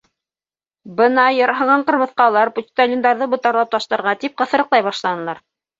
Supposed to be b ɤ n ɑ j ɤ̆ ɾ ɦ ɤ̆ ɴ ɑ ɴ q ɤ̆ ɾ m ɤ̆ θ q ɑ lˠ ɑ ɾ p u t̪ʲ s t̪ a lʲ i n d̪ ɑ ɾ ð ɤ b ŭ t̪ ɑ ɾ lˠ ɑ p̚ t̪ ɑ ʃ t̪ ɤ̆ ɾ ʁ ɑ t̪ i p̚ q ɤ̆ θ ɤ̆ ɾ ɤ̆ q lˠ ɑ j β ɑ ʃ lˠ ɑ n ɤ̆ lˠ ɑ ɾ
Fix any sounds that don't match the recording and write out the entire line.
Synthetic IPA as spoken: b ɤ n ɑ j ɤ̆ ɾ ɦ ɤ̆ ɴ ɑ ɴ q ɤ̆ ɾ m ɤ̆ θ q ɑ lˠ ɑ ɾ p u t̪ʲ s t̪ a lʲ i n d̪ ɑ ɾ ð ɤ b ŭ t̪ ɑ ɾ lˠ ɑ p̚ t̪ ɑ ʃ t̪ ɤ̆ ɾ ʁ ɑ t̪ i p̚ q ɤ̆ θ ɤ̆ ɾ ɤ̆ q lˠ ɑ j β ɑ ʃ lˠ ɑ n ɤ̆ lˠ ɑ ɾ

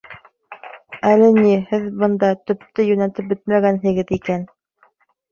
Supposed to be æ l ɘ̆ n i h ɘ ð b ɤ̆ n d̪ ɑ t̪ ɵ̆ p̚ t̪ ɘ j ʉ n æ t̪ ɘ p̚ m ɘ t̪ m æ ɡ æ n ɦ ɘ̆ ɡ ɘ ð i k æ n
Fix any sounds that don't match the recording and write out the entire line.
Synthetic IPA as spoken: æ l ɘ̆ n i h ɘ ð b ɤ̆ n d̪ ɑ t̪ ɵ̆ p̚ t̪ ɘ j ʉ n æ t̪ ɘ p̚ b ɘ t̪ m æ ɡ æ n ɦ ɘ̆ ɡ ɘ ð i k æ n

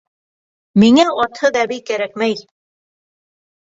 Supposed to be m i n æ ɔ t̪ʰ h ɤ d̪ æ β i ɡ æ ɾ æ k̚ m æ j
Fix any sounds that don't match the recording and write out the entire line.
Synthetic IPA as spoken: m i ŋ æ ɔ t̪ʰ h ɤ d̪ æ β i k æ ɾ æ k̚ m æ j

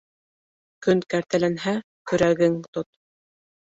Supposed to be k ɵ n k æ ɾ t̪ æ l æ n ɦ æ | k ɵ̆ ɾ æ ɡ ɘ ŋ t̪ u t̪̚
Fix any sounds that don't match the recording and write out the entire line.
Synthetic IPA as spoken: k ɵ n k æ ɾ t̪ æ l æ n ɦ æ | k ɵ̆ ɾ æ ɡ ɘ ŋ t̪ o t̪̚

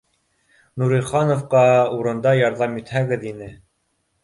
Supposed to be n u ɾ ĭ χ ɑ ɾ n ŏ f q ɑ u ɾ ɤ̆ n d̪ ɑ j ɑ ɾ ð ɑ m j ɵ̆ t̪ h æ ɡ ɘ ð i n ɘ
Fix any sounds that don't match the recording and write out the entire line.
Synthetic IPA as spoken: n u ɾ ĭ χ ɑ n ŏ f q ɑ u ɾ ɤ̆ n d̪ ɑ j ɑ ɾ ð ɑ m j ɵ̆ t̪ h æ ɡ ɘ ð i n ɘ

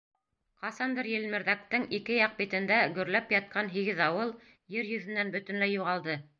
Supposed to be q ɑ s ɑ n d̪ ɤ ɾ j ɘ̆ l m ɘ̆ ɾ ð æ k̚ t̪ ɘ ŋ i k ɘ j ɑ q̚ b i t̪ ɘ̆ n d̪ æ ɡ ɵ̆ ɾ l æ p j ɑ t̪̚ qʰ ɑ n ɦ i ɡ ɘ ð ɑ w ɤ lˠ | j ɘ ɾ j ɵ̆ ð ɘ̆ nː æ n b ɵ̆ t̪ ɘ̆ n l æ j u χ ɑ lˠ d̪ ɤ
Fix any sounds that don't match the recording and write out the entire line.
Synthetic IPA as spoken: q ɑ s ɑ n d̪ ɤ ɾ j ɘ̆ l m ɘ̆ ɾ ð æ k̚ t̪ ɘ ŋ i k ɘ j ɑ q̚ b i t̪ ɘ̆ n d̪ æ ɡ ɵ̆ ɾ l æ p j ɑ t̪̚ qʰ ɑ n ɦ i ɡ ɘ ð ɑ w ɤ lˠ | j ɘ ɾ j ɵ̆ ð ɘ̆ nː æ n b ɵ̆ t̪ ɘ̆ n l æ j u ʁ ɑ lˠ d̪ ɤ

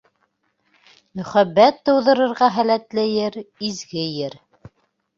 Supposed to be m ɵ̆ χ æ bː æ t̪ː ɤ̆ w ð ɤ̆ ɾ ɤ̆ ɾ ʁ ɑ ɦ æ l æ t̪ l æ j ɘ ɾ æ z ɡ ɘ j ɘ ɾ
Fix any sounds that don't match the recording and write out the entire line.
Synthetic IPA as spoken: m ɵ̆ χ æ bː æ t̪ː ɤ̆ w ð ɤ̆ ɾ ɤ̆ ɾ ʁ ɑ ɦ æ l æ t̪ l æ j ɘ ɾ i z ɡ ɘ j ɘ ɾ

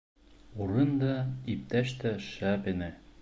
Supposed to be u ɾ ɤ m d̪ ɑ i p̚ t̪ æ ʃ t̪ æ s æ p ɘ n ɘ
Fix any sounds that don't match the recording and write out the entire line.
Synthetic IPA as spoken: u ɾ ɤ n d̪ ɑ i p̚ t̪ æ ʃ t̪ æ ʃ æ p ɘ n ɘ

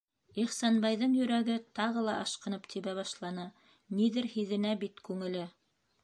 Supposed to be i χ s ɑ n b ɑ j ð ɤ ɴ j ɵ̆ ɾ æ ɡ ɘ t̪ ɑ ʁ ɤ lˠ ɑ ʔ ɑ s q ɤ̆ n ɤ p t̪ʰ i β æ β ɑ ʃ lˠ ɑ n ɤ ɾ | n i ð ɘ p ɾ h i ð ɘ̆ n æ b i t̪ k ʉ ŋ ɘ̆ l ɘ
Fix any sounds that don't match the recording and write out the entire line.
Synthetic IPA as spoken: i χ s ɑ n b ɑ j ð ɤ ɴ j ɵ̆ ɾ æ ɡ ɘ t̪ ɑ ʁ ɤ lˠ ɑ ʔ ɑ ʃ q ɤ̆ n ɤ p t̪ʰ i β æ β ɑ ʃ lˠ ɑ n ɤ | n i ð ɘ ɾ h i ð ɘ̆ n æ b i t̪ k ʉ ŋ ɘ̆ l ɘ

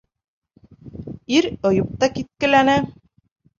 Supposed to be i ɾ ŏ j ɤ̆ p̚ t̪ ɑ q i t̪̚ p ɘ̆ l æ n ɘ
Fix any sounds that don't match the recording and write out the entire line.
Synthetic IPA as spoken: i ɾ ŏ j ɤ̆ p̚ t̪ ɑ k i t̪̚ k ɘ̆ l æ n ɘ

